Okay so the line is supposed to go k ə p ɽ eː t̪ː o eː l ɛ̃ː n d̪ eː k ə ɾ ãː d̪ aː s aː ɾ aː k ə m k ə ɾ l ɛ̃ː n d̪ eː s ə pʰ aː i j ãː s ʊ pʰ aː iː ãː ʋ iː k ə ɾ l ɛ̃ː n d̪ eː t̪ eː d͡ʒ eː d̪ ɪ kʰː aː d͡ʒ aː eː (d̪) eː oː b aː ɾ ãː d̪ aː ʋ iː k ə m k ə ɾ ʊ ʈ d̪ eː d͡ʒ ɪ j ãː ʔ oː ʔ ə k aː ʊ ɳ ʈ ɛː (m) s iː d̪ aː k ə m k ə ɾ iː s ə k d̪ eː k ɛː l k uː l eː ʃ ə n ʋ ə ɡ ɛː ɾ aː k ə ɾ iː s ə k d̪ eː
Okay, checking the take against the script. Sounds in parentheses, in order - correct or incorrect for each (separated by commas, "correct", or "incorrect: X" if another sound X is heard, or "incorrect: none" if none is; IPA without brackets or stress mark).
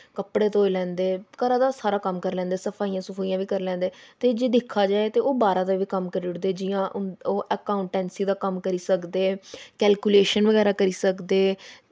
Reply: incorrect: t̪, incorrect: n